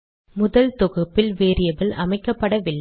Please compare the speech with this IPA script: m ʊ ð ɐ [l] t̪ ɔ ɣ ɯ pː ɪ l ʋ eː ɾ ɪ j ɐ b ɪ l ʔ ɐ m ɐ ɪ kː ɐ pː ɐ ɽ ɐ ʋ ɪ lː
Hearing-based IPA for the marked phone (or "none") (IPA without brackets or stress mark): l